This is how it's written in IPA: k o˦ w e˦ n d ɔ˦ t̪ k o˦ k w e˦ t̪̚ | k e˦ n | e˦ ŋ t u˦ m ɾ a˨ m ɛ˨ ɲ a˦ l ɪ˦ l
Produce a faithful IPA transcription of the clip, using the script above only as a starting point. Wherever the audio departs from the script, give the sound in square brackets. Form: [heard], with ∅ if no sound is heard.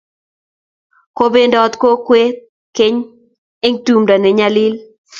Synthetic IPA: k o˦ [b] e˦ n d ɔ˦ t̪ k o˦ k w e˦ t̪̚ | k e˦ [ɲ] | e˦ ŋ t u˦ m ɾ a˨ [n] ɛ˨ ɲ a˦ l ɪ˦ l